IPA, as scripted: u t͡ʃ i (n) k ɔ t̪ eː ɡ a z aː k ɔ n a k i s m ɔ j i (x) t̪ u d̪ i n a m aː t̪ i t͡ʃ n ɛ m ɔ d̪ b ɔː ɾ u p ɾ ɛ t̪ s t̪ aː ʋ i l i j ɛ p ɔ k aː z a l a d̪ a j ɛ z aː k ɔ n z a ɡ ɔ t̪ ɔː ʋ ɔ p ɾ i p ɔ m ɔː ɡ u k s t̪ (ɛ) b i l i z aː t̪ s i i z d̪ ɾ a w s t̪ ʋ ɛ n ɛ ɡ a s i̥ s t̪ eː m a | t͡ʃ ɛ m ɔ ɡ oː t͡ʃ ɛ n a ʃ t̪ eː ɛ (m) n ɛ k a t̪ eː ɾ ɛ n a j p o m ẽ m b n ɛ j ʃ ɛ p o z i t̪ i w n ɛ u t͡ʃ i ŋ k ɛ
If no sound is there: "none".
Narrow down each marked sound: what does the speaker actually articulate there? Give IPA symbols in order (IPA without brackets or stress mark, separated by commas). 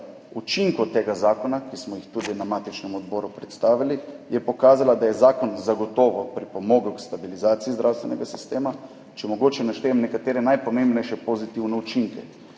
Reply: ŋ, x, a, m